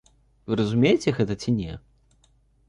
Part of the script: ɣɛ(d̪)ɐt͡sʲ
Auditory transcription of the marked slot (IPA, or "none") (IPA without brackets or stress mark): t̪